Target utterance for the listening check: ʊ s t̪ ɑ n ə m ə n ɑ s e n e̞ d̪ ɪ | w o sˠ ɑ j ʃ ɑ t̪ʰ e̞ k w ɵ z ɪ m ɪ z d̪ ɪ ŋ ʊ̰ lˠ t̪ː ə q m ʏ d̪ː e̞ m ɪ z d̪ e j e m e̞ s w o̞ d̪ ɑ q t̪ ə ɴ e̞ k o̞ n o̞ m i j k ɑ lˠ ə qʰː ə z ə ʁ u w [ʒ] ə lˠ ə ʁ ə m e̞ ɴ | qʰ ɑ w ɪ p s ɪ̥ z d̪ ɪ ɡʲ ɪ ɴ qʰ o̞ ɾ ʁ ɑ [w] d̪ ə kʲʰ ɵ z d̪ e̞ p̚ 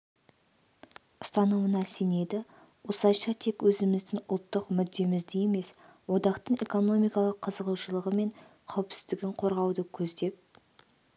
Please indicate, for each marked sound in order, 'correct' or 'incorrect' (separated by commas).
incorrect, correct